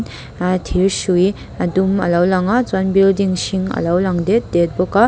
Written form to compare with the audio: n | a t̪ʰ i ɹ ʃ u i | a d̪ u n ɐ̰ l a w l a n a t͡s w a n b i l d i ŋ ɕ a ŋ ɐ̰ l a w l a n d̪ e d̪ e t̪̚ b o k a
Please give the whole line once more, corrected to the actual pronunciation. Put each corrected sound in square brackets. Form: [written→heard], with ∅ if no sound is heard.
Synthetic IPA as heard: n | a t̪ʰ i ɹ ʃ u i | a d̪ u [n→m] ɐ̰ l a w l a [n→ŋ] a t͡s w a n b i l d i ŋ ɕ [a→i] ŋ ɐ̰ l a w l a [n→ŋ] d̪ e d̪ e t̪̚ b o k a